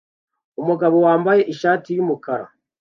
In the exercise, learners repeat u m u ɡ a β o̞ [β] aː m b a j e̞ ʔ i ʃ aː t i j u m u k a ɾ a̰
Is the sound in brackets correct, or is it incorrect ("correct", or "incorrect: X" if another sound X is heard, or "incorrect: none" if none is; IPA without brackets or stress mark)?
incorrect: w